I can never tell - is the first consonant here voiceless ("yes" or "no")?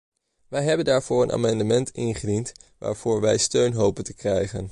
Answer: no